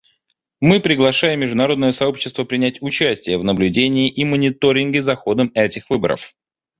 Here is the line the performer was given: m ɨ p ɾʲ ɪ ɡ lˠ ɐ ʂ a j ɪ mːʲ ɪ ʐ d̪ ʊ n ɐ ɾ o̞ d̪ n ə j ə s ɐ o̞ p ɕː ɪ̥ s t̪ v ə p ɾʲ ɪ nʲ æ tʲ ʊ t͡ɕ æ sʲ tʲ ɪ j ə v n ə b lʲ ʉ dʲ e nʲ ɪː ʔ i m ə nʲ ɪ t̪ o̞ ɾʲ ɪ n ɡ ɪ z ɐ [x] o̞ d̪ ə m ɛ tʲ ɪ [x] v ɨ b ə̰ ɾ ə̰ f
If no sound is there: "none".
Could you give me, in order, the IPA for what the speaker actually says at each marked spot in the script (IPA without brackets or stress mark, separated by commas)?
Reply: x, x